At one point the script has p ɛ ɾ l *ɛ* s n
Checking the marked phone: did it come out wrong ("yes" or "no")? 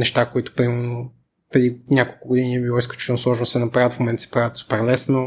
no